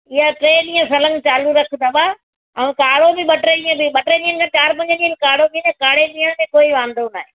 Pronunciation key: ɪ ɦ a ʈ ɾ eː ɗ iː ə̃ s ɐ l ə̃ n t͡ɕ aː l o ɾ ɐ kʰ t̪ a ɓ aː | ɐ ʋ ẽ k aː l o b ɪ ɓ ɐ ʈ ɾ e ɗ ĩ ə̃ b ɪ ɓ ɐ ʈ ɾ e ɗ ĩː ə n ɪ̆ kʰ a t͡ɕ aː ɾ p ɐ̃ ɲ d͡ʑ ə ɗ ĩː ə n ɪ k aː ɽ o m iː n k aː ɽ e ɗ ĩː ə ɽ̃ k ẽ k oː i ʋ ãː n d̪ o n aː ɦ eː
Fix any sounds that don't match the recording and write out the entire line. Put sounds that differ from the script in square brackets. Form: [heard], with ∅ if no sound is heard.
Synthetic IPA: ɪ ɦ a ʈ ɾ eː ɗ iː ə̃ s ɐ l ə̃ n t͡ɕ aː l [u] ɾ ɐ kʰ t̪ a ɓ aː | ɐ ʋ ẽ k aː [ɽ] o b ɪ ɓ ɐ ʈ ɾ e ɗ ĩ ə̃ b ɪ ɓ ɐ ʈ ɾ e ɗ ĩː ə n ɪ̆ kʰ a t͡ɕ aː ɾ p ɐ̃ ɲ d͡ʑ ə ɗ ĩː ə n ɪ k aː ɽ o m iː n k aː ɽ e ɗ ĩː ə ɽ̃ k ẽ k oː i ʋ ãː n d̪ o n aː ɦ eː